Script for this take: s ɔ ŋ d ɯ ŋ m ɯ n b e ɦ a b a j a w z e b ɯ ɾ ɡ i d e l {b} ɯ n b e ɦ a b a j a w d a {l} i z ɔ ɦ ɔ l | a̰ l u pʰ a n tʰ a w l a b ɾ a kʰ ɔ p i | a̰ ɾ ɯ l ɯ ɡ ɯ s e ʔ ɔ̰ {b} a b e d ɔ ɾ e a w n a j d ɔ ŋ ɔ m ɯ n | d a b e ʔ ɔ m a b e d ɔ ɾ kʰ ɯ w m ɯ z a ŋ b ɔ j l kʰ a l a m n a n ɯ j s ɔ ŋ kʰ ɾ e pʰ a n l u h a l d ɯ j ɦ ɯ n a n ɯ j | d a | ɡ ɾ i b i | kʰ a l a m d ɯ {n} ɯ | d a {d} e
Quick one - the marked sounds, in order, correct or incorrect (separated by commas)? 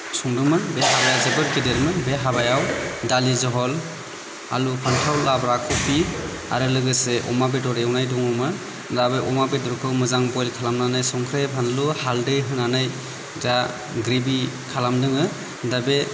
incorrect, correct, incorrect, incorrect, incorrect